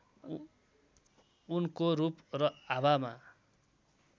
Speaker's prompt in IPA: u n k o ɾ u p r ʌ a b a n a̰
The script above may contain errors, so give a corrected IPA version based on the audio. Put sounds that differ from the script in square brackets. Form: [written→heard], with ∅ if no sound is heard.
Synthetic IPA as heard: u n k o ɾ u p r ʌ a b a [n→m] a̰